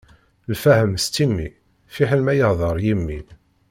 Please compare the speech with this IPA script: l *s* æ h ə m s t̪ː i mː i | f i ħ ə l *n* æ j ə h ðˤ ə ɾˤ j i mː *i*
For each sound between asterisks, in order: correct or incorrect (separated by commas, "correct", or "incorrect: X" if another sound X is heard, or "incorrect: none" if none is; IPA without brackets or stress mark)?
incorrect: f, incorrect: m, correct